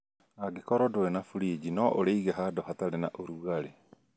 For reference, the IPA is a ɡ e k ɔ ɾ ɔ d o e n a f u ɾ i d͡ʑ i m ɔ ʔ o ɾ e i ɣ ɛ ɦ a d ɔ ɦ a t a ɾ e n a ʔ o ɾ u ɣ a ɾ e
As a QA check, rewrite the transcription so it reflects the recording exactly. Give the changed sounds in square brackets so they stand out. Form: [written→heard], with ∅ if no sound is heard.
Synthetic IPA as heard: a ɡ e k ɔ ɾ ɔ d o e n a f u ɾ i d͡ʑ i [m→n] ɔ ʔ o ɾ e i ɣ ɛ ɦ a d ɔ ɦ a t a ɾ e n a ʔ o ɾ u ɣ a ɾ e